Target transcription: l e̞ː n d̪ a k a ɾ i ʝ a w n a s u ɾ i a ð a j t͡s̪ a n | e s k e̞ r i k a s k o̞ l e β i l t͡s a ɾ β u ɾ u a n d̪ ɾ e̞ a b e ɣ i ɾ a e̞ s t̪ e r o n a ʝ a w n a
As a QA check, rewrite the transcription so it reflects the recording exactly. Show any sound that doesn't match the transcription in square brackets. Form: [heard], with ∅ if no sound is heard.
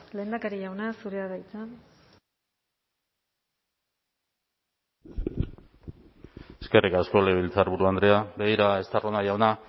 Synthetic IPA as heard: l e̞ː n d̪ a k a ɾ i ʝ a w n a s u ɾ [e] a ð a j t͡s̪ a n | e s k e̞ r i k a s k o̞ l e β i l t͡s a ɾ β u ɾ u a n d̪ ɾ e̞ a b e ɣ i ɾ a e̞ s t̪ [a] r o n a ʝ a w n a